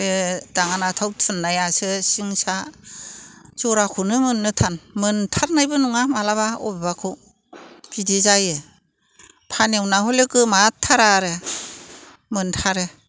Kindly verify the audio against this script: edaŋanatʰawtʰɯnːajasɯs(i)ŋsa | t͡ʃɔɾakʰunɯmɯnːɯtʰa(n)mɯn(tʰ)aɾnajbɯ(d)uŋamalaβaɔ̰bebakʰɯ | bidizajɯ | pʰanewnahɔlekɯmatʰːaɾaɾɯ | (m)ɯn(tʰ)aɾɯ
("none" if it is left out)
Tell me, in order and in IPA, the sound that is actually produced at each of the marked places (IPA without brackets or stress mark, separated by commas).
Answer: i, n, tʰ, n, m, tʰ